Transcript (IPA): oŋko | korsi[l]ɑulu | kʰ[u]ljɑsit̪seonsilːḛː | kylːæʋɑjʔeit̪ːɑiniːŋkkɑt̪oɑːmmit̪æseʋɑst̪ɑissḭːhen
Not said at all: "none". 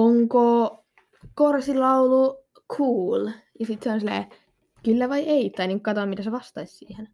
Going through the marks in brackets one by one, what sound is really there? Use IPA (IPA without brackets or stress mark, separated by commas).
l, uː